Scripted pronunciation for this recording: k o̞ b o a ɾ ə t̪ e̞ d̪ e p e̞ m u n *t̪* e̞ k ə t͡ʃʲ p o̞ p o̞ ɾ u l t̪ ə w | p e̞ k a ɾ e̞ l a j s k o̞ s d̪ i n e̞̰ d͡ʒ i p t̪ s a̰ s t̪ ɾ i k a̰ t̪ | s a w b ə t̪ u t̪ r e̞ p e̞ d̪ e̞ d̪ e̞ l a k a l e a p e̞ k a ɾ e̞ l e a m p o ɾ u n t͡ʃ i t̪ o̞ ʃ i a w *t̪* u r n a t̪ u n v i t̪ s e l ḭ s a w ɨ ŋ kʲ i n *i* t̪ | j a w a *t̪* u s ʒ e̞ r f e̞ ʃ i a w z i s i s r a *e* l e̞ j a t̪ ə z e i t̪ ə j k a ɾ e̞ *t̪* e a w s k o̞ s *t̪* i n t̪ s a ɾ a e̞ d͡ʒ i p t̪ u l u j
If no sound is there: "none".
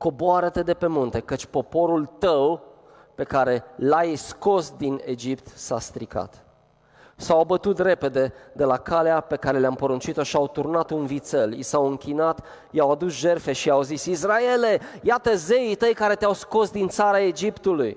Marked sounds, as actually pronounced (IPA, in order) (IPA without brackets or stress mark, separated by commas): t̪, t̪, a, d̪, e, t̪, d̪